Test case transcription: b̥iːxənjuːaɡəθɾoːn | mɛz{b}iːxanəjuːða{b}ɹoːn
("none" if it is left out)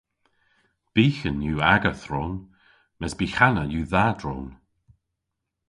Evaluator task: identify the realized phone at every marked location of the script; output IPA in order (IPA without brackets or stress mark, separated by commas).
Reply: b, d